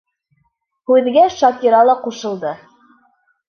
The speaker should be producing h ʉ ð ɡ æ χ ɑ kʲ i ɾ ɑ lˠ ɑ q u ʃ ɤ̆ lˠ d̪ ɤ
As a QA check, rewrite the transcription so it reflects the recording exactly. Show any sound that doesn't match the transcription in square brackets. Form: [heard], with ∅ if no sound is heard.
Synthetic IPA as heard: h ʉ ð ɡ æ [ʃ] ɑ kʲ i ɾ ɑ lˠ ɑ q u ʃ ɤ̆ lˠ d̪ ɤ